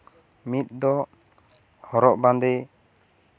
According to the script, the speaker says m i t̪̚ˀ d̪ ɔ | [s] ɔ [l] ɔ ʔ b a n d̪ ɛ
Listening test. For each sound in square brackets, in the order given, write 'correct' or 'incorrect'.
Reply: incorrect: h, incorrect: ɾ

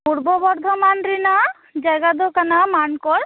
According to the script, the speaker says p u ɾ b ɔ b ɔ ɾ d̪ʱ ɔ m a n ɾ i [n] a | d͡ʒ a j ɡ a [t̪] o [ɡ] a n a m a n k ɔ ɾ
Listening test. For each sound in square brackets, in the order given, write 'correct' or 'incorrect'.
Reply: correct, incorrect: d̪, incorrect: k

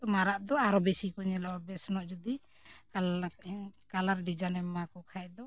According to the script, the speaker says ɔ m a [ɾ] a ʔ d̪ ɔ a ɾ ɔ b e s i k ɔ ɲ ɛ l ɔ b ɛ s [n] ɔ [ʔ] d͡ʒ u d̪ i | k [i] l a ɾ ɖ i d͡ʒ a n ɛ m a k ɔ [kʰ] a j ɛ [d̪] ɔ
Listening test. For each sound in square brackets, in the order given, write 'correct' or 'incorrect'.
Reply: correct, correct, correct, incorrect: a, correct, correct

